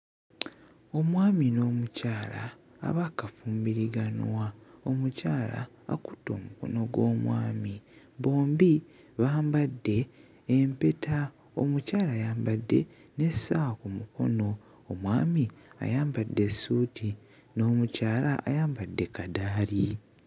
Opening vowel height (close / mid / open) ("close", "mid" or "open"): mid